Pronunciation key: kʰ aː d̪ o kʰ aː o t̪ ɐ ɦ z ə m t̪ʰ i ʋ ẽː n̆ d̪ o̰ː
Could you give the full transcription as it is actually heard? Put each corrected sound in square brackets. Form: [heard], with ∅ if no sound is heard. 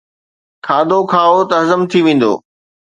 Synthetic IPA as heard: kʰ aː d̪ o kʰ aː o t̪ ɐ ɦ z ə m t̪ʰ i ʋ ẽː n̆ d̪ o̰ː